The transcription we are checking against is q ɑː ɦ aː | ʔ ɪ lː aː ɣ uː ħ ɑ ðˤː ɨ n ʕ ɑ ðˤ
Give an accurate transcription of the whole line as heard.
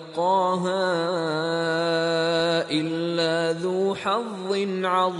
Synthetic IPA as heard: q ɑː ɦ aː | ʔ ɪ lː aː ð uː ħ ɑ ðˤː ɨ n ʕ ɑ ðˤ